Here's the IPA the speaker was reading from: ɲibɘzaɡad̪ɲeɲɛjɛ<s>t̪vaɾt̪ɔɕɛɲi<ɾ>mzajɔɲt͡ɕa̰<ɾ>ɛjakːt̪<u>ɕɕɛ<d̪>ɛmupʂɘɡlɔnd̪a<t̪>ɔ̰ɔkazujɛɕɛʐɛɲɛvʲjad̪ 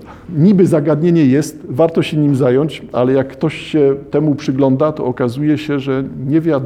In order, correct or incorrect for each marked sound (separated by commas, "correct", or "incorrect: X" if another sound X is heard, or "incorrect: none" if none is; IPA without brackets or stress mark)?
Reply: correct, incorrect: none, incorrect: l, incorrect: ɔ, incorrect: t̪, correct